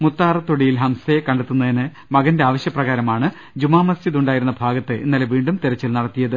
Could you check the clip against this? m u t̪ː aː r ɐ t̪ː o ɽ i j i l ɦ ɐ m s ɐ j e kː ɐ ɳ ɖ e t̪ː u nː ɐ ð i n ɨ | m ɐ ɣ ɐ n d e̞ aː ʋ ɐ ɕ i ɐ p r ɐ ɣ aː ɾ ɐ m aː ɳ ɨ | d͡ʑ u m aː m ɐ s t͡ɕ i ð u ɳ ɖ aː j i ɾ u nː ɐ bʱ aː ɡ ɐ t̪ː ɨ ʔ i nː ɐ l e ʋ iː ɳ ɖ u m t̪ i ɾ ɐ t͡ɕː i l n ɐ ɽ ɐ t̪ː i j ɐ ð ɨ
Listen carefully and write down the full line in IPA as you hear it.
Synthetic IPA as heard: m u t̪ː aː r ɐ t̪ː o ɽ i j i l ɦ ɐ m s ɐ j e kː ɐ ɳ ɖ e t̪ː u nː ɐ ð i n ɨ | m ɐ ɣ ɐ n d e̞ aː ʋ ɐ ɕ j ɐ p r ɐ ɣ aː ɾ ɐ m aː ɳ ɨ | d͡ʑ u m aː m ɐ s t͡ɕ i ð u ɳ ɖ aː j i ɾ u nː ɐ bʱ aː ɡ ɐ t̪ː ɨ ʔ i nː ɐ l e ʋ iː ɳ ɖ u m t̪ i ɾ ɐ t͡ɕː i l n ɐ ɽ ɐ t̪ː i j ɐ ð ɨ

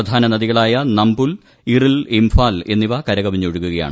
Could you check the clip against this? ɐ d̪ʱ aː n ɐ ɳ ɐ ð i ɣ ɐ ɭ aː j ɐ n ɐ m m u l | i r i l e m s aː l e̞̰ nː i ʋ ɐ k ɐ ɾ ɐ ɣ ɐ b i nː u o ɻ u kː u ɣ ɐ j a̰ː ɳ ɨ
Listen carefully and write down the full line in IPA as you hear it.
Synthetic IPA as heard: ɐ d̪ʱ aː n ɐ n ɐ ð i ɣ ɐ ɭ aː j ɐ n ɐ m b u l | i r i l i m f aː l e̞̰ nː i ʋ ɐ k ɐ ɾ ɐ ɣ ɐ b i ɲː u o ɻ u kː u ɣ ɐ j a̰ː ɳ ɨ

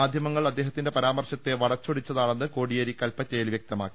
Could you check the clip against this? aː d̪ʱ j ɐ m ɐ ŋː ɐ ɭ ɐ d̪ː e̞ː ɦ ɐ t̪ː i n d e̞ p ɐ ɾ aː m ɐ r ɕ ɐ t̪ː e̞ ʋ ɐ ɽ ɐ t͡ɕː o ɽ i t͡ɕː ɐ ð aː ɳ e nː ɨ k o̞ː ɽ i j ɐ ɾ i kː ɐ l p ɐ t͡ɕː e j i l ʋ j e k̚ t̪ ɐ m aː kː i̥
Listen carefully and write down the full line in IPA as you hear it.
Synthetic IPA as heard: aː d̪ʱ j ɐ m ɐ ŋː ɐ ɭ ɐ d̪ː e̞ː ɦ ɐ t̪ː i n d e̞ p ɐ ɾ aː m ɐ r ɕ ɐ t̪ː e̞ ʋ ɐ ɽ ɐ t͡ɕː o ɽ i t͡ɕː ɐ ð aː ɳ e nː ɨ k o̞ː ɽ i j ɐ ɾ i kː ɐ l p ɐ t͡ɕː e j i l ʋ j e k̚ t̪ ɐ m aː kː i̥

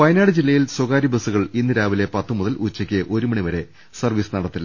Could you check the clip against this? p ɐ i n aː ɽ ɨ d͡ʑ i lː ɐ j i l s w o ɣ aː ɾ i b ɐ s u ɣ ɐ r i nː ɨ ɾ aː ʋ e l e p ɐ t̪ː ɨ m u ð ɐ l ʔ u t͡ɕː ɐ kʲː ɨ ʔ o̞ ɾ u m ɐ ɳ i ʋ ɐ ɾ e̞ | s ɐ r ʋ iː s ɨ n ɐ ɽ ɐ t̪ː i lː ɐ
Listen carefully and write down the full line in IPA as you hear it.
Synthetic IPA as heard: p ɐ j n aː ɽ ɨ d͡ʑ i lː ɐ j i l s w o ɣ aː ɾ i b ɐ s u ɣ ɐ ɭ i nː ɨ ɾ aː ʋ i l e p ɐ t̪ː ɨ m u ð ɐ l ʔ u t͡ɕː ɐ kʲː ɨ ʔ o̞ ɾ u m ɐ ɳ i ʋ ɐ ɾ e̞ | s ɐ r ʋ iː s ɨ n ɐ ɽ ɐ t̪ː i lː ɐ

